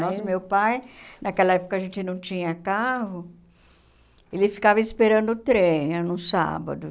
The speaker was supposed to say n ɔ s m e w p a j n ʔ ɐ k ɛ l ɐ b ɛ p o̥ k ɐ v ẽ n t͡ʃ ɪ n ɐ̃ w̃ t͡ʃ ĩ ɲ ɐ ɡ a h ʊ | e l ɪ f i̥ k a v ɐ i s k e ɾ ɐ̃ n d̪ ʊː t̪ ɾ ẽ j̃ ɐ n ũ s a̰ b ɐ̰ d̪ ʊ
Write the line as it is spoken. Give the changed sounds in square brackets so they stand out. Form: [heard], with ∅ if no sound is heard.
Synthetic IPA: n ɔ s m e w p a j n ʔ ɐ k ɛ l ɐ [∅] ɛ p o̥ k ɐ [ʒ] ẽ n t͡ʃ ɪ n ɐ̃ w̃ t͡ʃ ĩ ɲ ɐ [k] a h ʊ | e l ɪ f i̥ k a v ɐ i s [p] e ɾ ɐ̃ n d̪ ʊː t̪ ɾ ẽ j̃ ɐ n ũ s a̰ b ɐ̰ d̪ ʊ